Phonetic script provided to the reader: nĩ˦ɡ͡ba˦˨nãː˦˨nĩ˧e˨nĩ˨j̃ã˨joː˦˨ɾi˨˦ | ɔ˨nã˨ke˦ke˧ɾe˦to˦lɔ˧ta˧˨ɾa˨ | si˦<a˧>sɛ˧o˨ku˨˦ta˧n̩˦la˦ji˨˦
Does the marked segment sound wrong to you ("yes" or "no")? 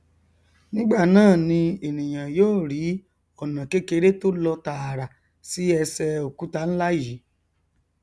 yes